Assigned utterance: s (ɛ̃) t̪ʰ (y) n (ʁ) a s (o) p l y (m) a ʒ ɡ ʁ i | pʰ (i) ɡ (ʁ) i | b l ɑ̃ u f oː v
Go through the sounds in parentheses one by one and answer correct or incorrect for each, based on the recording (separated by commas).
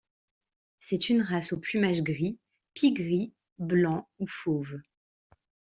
incorrect, correct, correct, correct, correct, correct, correct